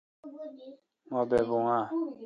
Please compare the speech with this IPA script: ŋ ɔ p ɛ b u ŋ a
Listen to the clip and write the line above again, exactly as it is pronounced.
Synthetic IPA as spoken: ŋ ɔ b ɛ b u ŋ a